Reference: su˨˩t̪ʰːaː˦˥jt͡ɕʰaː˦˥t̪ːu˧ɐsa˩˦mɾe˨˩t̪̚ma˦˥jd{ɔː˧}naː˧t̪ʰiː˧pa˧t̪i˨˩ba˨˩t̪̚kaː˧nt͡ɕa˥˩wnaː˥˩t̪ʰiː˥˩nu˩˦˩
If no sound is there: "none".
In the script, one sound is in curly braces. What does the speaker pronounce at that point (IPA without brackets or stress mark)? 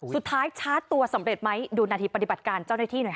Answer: uː˧